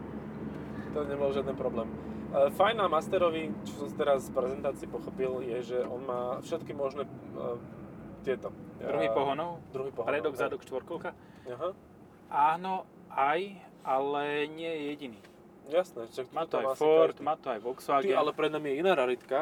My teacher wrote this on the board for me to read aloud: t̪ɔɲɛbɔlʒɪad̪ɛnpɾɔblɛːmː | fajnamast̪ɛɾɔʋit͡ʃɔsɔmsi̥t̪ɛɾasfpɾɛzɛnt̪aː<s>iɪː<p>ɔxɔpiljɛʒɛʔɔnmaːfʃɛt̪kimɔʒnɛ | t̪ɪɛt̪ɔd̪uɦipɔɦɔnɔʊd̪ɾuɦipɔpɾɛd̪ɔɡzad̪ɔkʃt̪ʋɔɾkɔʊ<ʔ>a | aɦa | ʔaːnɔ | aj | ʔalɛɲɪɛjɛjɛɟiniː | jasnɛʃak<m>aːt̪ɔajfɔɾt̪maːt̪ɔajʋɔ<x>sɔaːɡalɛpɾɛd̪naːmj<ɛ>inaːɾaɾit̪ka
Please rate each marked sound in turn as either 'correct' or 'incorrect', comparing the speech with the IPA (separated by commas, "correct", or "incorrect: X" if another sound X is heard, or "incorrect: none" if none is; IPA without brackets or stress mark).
incorrect: t͡s, correct, incorrect: k, correct, incorrect: k, correct